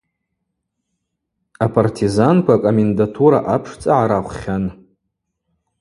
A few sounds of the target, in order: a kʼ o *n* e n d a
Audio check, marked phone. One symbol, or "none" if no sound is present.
m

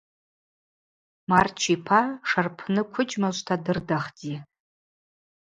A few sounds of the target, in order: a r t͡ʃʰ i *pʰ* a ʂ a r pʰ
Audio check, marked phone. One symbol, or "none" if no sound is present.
pʰ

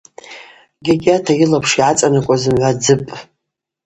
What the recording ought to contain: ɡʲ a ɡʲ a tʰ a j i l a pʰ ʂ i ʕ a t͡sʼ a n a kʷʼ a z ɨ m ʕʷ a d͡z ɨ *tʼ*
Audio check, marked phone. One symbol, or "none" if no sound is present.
pʼ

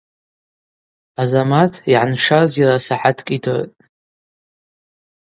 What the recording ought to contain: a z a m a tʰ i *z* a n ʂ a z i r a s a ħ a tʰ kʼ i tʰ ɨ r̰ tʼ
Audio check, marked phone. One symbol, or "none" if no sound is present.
ʕ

